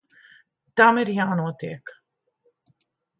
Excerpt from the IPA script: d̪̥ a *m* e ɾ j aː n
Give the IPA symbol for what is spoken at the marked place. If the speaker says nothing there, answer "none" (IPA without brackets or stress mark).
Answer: m